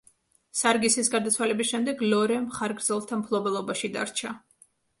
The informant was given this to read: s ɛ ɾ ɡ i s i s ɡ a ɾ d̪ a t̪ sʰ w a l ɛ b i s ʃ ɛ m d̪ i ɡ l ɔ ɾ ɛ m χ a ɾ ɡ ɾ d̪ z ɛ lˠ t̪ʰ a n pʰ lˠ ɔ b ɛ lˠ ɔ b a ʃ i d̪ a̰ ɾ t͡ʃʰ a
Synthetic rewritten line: s a ɾ ɡ i s i s ɡ a ɾ d̪ a t̪ sʰ w a l ɛ b i s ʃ ɛ m d̪ ɛ ɡ l ɔ ɾ ɛ m χ a ɾ ɡ ɾ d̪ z ɛ lˠ t̪ʰ a m pʰ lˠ ɔ b ɛ lˠ ɔ b a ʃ i d̪ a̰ ɾ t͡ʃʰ a

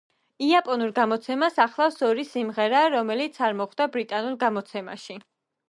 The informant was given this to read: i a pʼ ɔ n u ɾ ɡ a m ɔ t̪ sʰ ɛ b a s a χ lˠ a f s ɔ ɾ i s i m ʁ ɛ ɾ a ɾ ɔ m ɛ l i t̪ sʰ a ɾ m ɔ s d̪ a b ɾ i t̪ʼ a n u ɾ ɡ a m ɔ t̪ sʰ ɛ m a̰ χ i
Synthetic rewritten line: i a pʼ ɔ n u ɾ ɡ a m ɔ t̪ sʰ ɛ m a s a χ lˠ a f s ɔ ɾ i s i m ʁ ɛ ɾ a ɾ ɔ m ɛ l i t̪ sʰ a ɾ m ɔ χ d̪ a b ɾ i t̪ʼ a n u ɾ ɡ a m ɔ t̪ sʰ ɛ m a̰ ʃ i

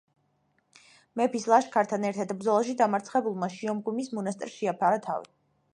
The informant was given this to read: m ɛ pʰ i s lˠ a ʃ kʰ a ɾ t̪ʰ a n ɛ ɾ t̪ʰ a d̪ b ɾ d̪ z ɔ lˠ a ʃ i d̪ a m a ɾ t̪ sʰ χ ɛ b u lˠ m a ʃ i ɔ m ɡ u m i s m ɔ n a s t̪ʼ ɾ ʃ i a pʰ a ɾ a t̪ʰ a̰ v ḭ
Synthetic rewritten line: m ɛ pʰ i s lˠ a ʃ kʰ a ɾ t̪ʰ a n ɛ ɾ t̪ʰ a d̪ b ɾ d̪ z ɔ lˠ a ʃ i d̪ a m a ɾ t̪ sʰ χ ɛ b u lˠ m a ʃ i ɔ m ɡ u m i s m ɔ n a s t̪ʼ ɾ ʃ i a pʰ a ɾ a t̪ʰ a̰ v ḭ

